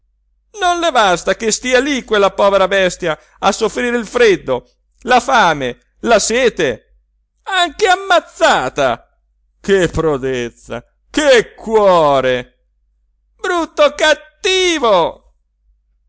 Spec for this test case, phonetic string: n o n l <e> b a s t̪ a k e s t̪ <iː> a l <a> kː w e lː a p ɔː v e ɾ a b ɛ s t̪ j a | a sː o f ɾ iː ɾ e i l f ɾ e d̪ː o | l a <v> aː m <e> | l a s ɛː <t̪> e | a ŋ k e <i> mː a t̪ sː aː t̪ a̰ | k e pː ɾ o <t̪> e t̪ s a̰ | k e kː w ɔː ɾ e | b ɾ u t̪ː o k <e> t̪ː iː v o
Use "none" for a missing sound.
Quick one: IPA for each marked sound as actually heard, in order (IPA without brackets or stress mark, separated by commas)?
e, iː, i, f, e, t̪, a, d̪, a